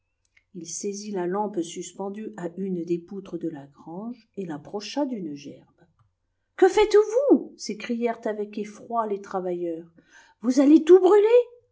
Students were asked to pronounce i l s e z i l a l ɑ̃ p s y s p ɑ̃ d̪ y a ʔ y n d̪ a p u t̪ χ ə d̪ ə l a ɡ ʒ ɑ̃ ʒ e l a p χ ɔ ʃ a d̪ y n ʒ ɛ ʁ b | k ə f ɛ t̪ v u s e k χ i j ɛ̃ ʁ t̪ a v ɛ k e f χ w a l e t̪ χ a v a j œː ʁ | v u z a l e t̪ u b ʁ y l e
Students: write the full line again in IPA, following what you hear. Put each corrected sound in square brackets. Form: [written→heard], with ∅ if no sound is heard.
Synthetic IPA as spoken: i l s e z i l a l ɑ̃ p s y s p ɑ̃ d̪ y a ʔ y n d̪ [a→e] p u t̪ χ ə d̪ ə l a ɡ [ʒ→ʁ] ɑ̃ ʒ e l a p χ ɔ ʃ a d̪ y n ʒ ɛ ʁ b | k ə f ɛ t̪ v u s e k χ i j [ɛ̃→ɛ] ʁ t̪ a v ɛ k e f χ w a l e t̪ χ a v a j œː ʁ | v u z a l e t̪ u b ʁ y l e